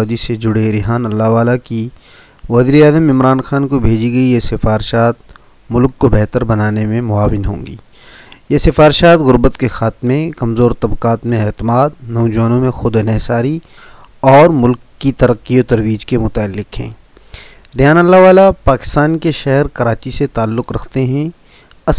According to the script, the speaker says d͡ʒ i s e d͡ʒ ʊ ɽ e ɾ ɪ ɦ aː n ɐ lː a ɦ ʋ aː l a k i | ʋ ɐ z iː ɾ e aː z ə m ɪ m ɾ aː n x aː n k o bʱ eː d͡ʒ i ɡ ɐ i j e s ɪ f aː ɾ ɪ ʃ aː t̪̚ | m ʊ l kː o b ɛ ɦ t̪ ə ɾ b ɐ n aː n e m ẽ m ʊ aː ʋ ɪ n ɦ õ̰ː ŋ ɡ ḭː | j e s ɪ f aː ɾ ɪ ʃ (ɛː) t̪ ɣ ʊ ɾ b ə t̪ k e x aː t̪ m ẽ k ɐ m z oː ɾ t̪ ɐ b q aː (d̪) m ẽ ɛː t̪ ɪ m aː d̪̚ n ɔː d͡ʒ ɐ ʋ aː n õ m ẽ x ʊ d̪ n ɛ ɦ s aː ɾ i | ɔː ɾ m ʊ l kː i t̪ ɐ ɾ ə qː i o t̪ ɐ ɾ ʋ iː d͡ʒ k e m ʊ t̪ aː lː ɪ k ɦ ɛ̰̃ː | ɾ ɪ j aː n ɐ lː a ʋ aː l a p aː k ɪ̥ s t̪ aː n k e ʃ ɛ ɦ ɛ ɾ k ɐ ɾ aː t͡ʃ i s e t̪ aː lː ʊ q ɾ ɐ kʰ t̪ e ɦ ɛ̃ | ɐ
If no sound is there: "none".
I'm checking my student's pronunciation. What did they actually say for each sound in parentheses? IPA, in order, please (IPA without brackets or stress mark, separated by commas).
aː, t̪